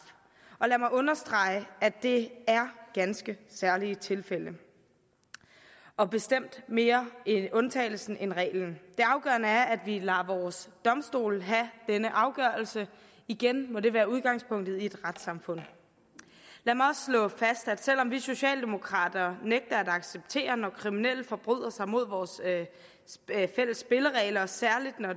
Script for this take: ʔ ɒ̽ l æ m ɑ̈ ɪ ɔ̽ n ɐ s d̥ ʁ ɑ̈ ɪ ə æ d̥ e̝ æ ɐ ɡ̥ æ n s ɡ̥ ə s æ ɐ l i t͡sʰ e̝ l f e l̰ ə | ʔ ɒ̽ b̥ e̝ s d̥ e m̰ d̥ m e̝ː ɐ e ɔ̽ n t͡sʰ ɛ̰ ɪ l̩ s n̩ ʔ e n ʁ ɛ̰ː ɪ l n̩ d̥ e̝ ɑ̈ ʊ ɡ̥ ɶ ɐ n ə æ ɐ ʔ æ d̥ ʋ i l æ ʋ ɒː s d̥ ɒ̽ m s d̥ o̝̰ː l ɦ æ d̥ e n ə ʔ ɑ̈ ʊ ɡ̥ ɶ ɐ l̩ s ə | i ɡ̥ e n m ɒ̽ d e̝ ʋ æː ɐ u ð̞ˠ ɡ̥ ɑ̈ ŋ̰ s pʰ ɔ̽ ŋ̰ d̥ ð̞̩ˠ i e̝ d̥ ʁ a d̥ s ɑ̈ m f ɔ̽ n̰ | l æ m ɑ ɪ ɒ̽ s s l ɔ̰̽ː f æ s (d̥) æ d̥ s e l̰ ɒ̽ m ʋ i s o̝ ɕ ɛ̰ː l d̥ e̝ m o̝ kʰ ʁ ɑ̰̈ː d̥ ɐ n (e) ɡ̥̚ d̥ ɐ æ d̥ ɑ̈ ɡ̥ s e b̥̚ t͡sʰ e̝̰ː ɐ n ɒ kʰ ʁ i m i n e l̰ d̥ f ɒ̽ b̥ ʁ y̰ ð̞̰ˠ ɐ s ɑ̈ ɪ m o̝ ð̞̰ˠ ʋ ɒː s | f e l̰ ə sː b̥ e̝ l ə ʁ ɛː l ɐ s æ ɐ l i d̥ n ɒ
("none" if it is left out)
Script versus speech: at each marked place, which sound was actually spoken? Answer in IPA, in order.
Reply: d̥, e

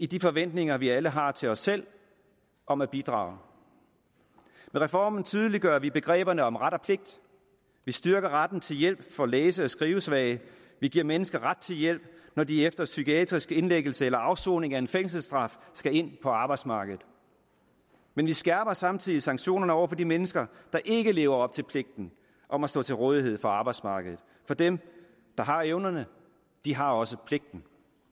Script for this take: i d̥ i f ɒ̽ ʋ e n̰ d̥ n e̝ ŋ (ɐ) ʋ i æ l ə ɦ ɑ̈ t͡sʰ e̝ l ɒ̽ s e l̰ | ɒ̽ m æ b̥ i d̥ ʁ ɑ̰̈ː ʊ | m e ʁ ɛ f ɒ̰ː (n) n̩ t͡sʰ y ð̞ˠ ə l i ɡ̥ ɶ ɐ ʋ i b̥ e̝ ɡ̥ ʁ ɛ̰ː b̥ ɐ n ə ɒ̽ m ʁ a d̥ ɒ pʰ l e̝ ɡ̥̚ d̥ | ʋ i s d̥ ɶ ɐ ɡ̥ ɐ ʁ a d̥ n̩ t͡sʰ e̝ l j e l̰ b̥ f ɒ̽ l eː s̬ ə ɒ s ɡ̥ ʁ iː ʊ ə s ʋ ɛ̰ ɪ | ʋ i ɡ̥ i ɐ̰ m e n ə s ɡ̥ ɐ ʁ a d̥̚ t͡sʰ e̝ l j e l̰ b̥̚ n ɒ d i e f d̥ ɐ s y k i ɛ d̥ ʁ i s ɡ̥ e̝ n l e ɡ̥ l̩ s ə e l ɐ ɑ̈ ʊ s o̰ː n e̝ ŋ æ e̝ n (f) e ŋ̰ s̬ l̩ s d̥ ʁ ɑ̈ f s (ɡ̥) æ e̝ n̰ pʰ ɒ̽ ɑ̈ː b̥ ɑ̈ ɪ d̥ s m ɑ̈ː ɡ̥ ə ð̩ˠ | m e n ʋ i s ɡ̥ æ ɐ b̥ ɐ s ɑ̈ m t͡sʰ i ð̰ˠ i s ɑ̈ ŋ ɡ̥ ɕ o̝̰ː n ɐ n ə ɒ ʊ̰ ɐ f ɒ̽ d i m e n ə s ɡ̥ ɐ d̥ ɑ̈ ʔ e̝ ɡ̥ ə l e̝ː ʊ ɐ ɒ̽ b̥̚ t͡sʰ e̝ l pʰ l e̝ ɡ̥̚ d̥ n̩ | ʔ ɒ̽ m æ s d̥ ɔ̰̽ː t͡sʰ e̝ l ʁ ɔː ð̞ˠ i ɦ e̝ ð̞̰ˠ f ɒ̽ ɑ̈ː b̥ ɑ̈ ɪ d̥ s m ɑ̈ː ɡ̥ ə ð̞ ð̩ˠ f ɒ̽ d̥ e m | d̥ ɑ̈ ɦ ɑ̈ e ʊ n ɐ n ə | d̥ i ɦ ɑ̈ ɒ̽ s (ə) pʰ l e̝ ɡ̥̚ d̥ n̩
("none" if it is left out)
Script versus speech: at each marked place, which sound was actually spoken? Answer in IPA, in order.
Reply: ɐ, m, f, ɡ̥, ə

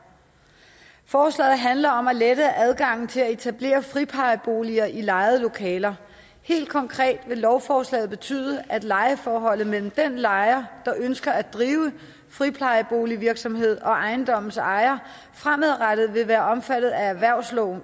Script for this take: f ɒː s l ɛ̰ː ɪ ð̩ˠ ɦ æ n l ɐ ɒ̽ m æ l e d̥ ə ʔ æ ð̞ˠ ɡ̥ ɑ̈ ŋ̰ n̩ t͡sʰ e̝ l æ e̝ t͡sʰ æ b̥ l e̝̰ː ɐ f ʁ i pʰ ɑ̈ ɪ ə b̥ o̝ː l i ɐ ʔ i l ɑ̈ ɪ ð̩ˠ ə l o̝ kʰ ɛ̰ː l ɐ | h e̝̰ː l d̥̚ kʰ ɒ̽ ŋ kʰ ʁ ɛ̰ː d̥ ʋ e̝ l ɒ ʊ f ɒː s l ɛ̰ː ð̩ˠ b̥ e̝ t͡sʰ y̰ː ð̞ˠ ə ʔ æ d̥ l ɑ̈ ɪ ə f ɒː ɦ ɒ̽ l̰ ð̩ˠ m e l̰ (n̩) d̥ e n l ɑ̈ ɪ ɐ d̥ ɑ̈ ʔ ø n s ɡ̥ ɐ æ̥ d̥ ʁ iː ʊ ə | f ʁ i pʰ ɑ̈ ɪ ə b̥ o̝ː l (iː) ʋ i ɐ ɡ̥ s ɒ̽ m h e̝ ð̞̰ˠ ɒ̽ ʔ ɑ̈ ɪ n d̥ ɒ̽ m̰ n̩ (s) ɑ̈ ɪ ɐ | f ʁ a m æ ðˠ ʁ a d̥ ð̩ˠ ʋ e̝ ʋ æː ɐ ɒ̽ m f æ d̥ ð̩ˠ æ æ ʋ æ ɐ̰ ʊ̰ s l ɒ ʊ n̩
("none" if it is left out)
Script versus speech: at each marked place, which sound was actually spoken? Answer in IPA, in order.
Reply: m̩, i, s

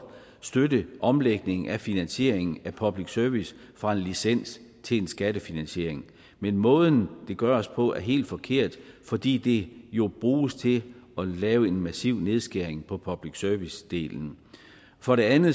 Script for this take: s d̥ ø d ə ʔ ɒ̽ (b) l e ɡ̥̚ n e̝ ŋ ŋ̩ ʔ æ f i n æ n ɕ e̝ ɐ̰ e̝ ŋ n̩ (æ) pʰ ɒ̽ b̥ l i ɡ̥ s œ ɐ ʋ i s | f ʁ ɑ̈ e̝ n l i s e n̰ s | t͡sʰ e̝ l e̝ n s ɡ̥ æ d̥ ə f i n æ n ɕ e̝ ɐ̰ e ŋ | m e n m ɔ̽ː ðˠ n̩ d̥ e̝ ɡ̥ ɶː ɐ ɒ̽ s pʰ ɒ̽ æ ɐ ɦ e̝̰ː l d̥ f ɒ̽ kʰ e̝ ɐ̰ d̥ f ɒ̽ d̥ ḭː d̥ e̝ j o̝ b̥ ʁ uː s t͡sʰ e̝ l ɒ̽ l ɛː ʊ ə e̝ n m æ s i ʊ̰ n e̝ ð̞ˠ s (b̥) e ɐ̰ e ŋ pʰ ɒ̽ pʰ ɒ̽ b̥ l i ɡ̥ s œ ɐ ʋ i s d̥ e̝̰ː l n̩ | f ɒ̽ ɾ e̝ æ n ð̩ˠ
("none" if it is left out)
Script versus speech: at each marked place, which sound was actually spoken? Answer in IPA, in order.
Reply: m, æ, ɡ̥

